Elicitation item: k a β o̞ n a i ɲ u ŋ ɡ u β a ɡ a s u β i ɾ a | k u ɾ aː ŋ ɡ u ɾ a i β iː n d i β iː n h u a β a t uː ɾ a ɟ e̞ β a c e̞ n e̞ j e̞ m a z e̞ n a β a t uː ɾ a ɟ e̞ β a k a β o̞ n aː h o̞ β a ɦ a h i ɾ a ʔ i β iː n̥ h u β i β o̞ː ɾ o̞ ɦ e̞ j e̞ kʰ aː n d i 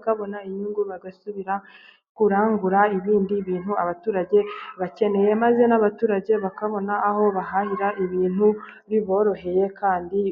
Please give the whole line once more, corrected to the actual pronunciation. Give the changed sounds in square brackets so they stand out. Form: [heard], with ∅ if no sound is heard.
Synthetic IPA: k a β o̞ n a i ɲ u ŋ ɡ u β a ɡ a s u β i ɾ a | k u ɾ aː ŋ ɡ u ɾ a i β iː n d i β iː n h u a β a t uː ɾ a ɟ e̞ β a c e̞ n e̞ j e̞ m a z e̞ n a β a t uː ɾ a ɟ e̞ β a k a β o̞ n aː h o̞ β a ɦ a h i ɾ a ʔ i β iː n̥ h u β i β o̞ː ɾ o̞ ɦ e̞ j e̞ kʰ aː n d i